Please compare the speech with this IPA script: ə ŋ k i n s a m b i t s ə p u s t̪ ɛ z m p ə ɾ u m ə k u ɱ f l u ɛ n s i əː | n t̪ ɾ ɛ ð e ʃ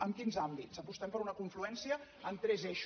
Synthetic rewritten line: ə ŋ k i n z a m b i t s ə p u s t̪ ɛ m p ə ɾ u n ə k u ɱ f l u ɛ n s i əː | n t̪ ɾ ɛ z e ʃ